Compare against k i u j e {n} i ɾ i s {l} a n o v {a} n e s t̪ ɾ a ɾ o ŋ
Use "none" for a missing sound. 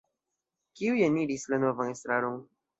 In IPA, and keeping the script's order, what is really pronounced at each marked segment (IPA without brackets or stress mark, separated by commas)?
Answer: n, l, a